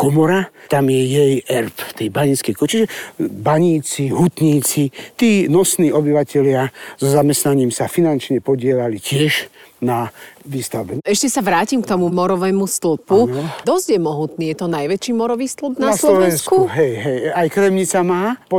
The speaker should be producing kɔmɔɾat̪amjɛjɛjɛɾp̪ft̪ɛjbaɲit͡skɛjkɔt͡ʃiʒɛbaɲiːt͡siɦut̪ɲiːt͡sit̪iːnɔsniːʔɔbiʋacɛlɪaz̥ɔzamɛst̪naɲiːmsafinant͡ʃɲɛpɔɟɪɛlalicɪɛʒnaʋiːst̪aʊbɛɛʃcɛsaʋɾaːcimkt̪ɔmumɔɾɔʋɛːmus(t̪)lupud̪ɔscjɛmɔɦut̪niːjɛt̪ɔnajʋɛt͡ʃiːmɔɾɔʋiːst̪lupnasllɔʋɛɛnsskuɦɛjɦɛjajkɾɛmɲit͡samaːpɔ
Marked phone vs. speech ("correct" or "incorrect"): correct